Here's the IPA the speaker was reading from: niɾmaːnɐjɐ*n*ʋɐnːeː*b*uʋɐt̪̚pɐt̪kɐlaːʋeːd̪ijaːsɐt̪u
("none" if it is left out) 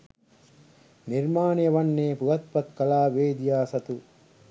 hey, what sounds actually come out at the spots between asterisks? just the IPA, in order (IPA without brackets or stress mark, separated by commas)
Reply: none, p